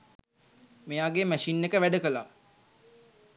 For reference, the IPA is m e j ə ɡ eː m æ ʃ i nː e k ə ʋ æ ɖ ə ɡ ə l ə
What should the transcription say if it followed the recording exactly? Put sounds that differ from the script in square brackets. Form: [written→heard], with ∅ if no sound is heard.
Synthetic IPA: m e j [ə→a] ɡ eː m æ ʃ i nː e k ə ʋ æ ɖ ə [ɡ→k] ə l [ə→a]